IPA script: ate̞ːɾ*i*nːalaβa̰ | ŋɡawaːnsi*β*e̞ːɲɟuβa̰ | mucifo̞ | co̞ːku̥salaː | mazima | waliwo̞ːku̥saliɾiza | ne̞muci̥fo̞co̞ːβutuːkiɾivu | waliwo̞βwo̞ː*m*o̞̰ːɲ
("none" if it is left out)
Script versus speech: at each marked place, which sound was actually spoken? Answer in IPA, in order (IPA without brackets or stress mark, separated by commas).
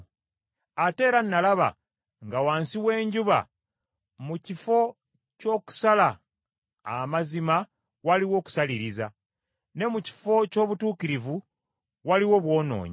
a, w, n